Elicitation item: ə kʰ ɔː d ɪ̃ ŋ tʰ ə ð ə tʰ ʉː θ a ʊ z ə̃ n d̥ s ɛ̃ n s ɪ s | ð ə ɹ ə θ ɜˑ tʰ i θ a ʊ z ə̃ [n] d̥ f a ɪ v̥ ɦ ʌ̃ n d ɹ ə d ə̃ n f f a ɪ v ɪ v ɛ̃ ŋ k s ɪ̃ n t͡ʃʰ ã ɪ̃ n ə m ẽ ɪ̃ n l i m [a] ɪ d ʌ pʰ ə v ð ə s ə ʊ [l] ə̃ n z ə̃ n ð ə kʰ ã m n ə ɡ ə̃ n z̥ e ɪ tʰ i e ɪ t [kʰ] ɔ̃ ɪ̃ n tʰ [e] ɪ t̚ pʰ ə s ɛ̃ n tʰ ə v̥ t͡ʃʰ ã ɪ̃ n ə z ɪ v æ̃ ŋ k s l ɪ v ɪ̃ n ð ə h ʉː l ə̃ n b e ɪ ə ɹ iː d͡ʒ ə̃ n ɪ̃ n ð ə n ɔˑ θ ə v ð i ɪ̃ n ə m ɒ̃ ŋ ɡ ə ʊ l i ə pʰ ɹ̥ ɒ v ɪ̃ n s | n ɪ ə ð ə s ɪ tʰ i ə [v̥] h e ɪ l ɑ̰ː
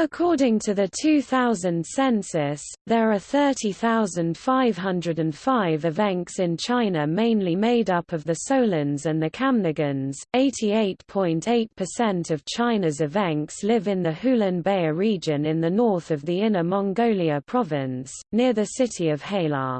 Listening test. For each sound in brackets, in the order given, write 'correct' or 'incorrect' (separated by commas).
correct, incorrect, correct, incorrect, correct, correct